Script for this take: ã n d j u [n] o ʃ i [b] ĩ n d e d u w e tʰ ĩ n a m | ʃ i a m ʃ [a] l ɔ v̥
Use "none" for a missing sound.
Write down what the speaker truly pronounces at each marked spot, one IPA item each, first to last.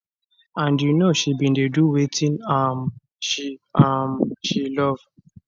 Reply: n, b, i

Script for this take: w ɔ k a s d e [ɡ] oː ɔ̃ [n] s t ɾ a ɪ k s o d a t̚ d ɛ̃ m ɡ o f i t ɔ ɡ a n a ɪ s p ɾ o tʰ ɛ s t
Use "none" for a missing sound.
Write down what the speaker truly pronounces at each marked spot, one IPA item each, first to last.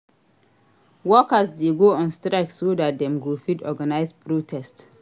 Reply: ɡ, n

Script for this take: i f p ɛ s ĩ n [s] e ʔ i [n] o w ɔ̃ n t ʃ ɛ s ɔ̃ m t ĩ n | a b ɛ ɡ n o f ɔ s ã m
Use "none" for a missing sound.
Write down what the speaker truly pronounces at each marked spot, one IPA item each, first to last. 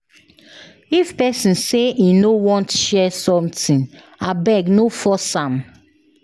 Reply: s, n

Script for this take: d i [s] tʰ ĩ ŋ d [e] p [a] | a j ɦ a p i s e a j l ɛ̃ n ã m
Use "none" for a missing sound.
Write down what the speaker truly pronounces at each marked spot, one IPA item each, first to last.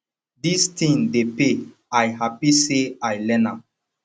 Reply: s, e, e

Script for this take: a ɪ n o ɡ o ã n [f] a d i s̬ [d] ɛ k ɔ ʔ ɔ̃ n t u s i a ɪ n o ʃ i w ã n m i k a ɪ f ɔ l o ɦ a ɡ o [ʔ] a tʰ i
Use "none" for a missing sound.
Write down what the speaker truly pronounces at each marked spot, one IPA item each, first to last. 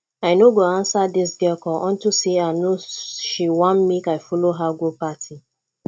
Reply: s, ɡ, p

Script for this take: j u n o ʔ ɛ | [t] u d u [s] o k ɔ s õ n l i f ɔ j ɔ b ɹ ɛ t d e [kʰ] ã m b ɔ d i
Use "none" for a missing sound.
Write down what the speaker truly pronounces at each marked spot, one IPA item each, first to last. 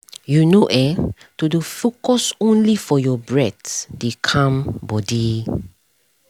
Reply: t, f, kʰ

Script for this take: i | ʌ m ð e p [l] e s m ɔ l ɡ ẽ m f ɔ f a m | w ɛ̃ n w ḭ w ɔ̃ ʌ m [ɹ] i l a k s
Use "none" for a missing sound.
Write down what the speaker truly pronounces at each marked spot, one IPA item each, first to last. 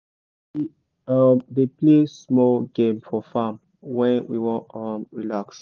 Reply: l, ɹ

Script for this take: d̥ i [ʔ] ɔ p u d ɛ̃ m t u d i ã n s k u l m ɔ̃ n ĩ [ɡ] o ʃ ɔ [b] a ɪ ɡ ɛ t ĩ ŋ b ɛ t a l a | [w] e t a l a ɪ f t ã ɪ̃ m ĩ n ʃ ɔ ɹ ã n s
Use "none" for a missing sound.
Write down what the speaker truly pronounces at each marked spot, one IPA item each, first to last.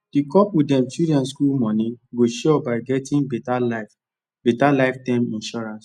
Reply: k, ɡ, b, b

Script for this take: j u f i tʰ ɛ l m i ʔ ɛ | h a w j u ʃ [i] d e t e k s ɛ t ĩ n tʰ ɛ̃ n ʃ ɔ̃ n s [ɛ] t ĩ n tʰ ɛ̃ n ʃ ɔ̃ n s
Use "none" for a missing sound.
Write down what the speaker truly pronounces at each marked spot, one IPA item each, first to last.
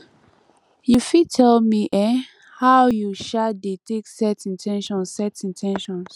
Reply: a, ɛ

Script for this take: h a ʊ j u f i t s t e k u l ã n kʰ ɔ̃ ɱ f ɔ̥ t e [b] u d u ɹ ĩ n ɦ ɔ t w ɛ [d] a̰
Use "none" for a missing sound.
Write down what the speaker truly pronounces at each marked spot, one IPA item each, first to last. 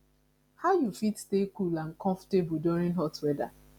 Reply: b, d

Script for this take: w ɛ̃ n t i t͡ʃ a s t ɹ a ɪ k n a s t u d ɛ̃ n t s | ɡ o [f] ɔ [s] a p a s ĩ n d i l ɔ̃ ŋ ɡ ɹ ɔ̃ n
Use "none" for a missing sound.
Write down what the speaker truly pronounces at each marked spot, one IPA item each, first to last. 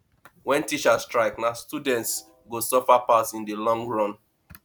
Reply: s, f

